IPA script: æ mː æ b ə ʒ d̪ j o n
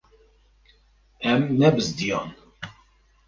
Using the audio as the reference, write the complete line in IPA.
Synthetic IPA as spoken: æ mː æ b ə z d̪ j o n